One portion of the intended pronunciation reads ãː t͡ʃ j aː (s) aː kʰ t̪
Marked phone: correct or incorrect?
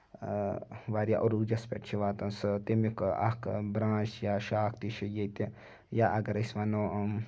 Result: incorrect